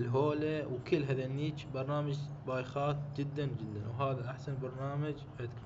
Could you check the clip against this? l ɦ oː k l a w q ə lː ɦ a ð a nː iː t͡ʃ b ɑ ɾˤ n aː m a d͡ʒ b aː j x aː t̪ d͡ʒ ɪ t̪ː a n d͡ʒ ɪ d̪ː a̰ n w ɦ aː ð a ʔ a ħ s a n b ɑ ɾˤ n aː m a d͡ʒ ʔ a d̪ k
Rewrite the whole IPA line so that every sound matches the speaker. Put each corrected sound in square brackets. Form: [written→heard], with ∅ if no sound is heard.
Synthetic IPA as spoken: l ɦ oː [k→∅] l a w [q→k] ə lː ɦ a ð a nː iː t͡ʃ b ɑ ɾˤ n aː m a d͡ʒ b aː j x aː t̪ d͡ʒ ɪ [t̪ː→d̪ː] a n d͡ʒ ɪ d̪ː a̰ n w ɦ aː ð a ʔ a ħ s a n b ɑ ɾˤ n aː m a d͡ʒ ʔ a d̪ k